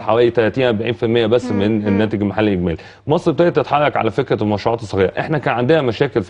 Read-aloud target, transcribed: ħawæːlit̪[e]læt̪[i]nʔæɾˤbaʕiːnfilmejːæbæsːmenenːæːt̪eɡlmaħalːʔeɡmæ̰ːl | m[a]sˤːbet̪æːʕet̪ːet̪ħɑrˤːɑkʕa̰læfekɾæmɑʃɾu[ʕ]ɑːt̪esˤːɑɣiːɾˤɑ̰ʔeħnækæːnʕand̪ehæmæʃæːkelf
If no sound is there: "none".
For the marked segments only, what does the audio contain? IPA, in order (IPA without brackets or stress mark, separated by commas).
æ, iː, ɑ, ʕ